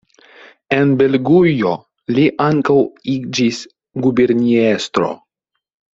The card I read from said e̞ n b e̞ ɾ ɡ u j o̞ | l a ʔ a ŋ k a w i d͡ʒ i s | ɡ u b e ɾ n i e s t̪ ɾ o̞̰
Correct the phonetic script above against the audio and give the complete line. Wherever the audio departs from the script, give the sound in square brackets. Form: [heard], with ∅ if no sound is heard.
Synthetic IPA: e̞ n b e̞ [l] ɡ u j o̞ | l [i] ʔ a ŋ k a w i d͡ʒ i s | ɡ u b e ɾ n i e s t̪ ɾ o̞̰